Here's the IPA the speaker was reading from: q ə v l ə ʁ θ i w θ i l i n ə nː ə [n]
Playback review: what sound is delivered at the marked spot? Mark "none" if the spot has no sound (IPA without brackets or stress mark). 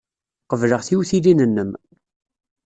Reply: m